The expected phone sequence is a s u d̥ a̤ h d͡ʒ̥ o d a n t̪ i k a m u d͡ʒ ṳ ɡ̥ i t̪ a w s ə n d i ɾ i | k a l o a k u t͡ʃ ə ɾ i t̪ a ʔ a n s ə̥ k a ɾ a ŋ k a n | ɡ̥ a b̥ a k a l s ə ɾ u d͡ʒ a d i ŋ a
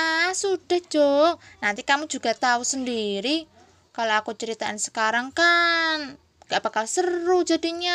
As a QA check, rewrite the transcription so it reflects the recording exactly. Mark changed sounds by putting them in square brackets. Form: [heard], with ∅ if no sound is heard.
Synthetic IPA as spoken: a s u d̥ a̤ h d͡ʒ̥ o [n] a n t̪ i k a m u d͡ʒ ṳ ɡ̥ [a] t̪ a [u] s ə n d i ɾ i | k a l o a k u t͡ʃ ə ɾ i t̪ a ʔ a n s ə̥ k a ɾ a ŋ k a n | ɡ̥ a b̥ a k a l s ə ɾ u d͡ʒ a d i [ɲ] a